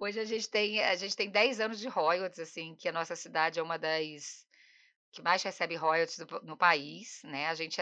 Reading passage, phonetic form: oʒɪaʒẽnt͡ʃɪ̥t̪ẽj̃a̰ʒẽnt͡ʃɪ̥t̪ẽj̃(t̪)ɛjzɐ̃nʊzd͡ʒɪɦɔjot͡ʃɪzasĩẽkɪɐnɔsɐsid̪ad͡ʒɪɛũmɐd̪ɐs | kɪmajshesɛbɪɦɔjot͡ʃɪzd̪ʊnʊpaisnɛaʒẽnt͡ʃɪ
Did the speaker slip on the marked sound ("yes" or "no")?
yes